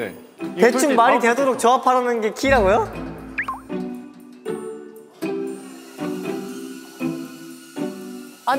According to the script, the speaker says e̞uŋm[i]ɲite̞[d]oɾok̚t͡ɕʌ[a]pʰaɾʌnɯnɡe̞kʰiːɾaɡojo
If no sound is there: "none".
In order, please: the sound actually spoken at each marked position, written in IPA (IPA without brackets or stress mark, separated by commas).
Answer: a, d, a